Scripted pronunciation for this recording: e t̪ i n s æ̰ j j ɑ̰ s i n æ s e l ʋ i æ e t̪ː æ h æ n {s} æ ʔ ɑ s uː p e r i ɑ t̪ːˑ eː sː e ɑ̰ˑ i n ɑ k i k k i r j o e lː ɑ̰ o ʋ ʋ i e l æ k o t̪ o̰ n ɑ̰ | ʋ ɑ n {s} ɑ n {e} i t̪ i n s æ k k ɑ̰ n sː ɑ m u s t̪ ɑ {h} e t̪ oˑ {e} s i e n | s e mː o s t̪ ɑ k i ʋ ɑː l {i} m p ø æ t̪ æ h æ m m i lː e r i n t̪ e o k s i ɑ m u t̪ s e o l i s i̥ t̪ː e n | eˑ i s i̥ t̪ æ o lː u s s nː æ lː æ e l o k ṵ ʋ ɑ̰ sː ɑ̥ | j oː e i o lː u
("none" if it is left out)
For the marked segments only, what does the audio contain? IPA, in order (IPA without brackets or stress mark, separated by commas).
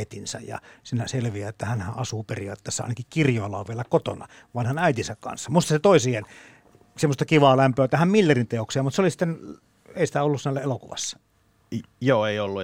h, h, æ, s, i, æ